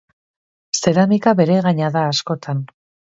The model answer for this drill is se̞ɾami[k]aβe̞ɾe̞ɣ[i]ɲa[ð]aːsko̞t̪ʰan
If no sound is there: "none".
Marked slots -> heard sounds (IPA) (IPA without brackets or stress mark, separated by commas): k, a, ð